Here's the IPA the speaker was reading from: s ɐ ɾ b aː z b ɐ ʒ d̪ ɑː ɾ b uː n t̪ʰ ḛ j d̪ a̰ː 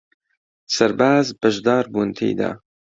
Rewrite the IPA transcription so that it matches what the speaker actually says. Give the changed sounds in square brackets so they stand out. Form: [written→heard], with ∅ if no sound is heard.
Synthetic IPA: s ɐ ɾ b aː z b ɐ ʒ d̪ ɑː ɾ b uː n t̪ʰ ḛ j d̪ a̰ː